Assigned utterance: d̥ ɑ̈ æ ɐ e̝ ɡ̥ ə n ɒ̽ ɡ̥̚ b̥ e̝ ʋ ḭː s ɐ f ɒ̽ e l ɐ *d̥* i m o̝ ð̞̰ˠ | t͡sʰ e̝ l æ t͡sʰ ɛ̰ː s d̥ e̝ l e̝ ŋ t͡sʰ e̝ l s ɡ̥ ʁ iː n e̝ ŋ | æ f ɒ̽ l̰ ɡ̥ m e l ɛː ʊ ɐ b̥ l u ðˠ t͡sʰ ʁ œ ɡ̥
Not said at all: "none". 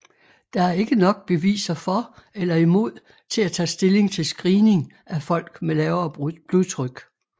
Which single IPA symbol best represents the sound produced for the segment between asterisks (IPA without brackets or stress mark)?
none